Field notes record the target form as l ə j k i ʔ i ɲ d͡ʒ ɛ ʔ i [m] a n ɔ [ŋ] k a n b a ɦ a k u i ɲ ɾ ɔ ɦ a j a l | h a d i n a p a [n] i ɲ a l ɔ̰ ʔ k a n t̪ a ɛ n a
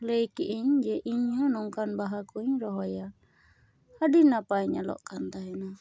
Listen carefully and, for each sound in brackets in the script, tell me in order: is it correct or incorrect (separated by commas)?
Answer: incorrect, correct, incorrect